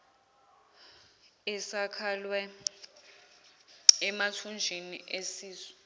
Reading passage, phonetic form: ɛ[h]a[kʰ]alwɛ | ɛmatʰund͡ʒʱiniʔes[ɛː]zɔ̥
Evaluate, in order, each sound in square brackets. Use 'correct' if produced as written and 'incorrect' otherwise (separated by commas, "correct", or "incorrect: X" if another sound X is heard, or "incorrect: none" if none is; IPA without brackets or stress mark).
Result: incorrect: s, correct, incorrect: iː